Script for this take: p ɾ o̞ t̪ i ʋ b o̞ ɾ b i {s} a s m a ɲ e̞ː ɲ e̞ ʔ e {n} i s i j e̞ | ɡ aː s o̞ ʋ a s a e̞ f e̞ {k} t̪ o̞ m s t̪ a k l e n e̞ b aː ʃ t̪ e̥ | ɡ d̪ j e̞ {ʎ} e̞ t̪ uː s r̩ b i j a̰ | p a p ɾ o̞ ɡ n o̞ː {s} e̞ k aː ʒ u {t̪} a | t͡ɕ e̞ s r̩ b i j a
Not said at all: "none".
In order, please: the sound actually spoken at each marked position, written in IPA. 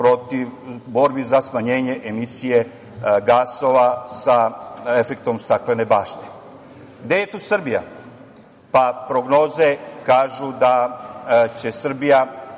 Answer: z, m, k, j, z, d̪

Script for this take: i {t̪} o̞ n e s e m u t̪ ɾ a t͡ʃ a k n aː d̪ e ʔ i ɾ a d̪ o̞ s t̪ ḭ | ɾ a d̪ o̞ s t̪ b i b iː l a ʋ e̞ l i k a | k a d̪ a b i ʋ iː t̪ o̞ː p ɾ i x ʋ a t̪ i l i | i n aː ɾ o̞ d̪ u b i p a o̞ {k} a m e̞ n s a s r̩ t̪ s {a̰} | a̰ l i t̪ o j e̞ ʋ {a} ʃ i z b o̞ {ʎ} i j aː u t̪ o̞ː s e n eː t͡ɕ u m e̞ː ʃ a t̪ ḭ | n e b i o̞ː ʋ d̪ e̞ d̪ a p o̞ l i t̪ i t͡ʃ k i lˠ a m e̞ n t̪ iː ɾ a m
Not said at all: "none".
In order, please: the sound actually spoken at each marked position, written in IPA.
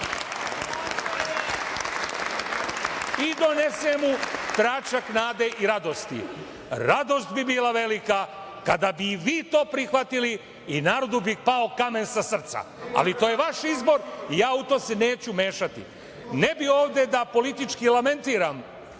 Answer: d̪, k, a̰, a, ɾ

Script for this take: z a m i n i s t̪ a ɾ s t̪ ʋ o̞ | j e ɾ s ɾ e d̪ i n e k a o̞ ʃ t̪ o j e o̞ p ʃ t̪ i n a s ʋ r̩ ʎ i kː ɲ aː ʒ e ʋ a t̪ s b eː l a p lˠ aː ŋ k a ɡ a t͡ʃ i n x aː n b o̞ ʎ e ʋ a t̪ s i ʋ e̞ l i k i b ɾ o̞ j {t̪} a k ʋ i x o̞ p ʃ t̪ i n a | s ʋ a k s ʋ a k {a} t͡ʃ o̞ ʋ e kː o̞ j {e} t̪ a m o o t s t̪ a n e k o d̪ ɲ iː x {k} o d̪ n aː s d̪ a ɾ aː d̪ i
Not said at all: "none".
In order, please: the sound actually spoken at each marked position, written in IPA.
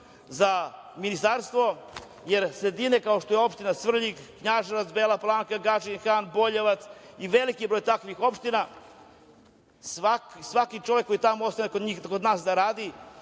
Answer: t̪, i, i, k

